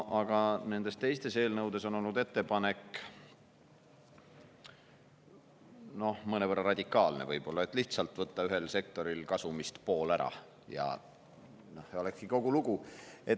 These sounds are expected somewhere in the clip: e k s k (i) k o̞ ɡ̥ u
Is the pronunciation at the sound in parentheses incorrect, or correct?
correct